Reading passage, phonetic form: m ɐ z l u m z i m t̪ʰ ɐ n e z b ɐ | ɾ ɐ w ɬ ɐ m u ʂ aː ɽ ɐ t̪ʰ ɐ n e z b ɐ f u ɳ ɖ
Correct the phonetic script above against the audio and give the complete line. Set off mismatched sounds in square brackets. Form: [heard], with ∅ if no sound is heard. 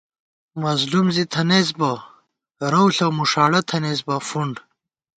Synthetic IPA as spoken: m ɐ z l u m z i [∅] t̪ʰ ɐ n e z b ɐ | ɾ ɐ w ɬ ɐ m u ʂ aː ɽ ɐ t̪ʰ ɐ n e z b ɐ f u ɳ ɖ

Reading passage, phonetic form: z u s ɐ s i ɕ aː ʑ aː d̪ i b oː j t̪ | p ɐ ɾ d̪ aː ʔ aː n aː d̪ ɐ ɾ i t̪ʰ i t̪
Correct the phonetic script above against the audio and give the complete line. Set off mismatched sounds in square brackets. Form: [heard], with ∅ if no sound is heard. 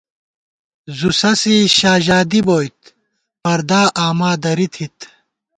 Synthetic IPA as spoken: z u s ɐ s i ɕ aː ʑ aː d̪ i b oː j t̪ | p ɐ ɾ d̪ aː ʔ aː [m] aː d̪ ɐ ɾ i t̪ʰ i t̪

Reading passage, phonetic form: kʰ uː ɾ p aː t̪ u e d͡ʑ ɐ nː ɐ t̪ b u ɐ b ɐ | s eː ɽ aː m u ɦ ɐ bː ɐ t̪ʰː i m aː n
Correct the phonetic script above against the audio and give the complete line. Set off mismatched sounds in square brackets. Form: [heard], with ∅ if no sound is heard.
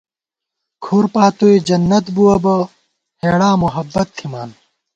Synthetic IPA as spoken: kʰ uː ɾ p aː t̪ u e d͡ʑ ɐ nː ɐ t̪ b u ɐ b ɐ | [h] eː ɽ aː m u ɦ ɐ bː ɐ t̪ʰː i m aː n

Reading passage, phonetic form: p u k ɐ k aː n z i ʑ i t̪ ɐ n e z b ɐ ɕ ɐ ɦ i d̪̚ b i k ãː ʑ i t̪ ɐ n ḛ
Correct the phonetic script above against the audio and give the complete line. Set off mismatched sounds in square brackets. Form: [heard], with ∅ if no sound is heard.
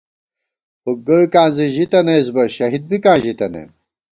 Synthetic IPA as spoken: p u [ɡ] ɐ k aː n z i ʑ i t̪ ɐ n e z b ɐ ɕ ɐ ɦ i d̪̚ b i k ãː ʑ i t̪ ɐ n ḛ

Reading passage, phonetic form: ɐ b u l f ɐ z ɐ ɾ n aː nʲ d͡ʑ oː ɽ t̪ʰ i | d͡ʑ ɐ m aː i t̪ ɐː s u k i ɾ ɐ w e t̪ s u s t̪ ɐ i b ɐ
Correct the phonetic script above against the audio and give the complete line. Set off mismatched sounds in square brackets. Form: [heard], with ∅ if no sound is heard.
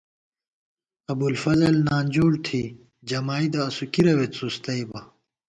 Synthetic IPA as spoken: ɐ b u l f ɐ z ɐ [l] n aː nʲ d͡ʑ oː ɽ t̪ʰ i | d͡ʑ ɐ m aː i [d̪] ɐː s u k i ɾ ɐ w e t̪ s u s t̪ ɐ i b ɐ

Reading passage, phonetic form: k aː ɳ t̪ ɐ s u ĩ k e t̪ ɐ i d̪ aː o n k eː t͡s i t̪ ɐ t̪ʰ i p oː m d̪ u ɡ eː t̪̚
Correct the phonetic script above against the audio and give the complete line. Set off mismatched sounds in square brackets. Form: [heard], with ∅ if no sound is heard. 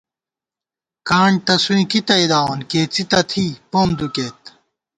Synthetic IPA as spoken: k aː ɳ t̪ ɐ s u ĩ k [i] t̪ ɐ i d̪ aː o n k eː t͡s i t̪ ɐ t̪ʰ i p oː m d̪ u [k] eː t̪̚

